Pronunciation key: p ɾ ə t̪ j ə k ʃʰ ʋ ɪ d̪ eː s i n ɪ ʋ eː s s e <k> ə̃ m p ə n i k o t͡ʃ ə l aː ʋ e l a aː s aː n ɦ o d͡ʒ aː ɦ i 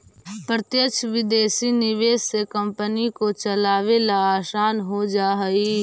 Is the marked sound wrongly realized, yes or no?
no